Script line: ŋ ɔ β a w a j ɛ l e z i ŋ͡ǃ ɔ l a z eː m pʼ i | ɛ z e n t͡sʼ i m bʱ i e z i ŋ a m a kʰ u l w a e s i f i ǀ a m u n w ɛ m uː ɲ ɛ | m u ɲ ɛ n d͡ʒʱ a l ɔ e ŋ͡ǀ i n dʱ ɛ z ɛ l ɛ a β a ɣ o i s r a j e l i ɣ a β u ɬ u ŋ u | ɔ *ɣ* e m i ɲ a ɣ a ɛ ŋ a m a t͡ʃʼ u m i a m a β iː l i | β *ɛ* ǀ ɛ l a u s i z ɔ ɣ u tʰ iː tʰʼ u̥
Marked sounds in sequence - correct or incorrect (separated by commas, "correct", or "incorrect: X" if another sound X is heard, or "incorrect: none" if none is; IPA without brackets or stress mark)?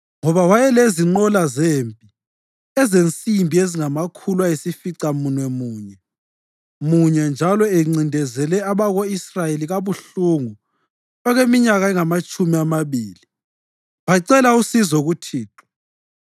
correct, incorrect: a